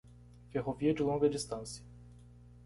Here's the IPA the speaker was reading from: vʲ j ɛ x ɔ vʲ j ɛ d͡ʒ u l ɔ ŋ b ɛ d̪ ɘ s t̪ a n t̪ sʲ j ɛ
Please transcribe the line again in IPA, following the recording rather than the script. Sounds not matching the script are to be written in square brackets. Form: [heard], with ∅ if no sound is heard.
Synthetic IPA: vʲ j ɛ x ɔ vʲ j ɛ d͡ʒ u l ɔ ŋ [ɡ] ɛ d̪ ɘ s t̪ a n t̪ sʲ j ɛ